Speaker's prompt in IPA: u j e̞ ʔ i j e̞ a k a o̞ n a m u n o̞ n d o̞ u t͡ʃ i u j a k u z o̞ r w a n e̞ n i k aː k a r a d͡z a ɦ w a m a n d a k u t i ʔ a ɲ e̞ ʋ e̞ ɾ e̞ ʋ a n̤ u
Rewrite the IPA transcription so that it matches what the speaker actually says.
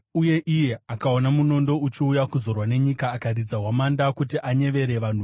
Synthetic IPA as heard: u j e̞ ʔ i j e̞ a k a o̞ n a m u n o̞ n d o̞ u t͡ʃ i u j a k u z o̞ r w a n e̞ ɲ i k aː k a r i d͡z a ɦ w a m a n d a k u t i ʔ a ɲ e̞ ʋ e̞ ɾ e̞ ʋ a n̤ u

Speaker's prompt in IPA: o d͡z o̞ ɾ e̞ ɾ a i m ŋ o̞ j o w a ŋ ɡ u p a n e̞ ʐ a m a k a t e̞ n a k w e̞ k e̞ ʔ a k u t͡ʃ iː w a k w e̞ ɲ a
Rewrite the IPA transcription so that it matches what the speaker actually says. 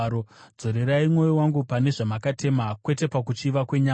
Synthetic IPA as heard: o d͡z o̞ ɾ e̞ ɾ a i m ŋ o̞ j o w a ŋ ɡ u p a n e̞ ʐ a m a k a t e̞ m a k w e̞ t e̞ p a k u t͡ʃ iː ʋ a k w e̞ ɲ a

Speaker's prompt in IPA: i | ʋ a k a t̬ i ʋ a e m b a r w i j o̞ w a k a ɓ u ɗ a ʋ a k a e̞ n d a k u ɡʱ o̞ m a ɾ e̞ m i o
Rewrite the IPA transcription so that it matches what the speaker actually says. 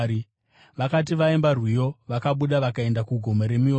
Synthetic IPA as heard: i | ʋ a k a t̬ i ʋ a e m b a r w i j o̞ ʋ a k a ɓ u ɗ a ʋ a k a e̞ n d a k u ɡʱ o̞ m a ɾ e̞ m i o

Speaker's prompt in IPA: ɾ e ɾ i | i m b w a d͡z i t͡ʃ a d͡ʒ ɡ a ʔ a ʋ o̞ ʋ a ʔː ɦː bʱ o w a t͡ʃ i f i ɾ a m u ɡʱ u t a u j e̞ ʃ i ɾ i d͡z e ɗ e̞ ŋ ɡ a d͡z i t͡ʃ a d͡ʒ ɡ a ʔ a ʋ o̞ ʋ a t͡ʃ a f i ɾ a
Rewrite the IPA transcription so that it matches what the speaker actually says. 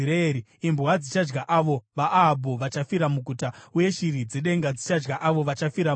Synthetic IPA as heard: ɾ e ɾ i | i m b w a d͡z i t͡ʃ a d͡ʒ ɡ a ʔ a ʋ o̞ ʋ a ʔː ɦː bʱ o ʋ a t͡ʃ a f i ɾ a m u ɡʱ u t a u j e̞ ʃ i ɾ i d͡z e ɗ e̞ ŋ ɡ a d͡z i t͡ʃ a d͡ʒ ɡ a ʔ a ʋ o̞ ʋ a t͡ʃ a f i ɾ a

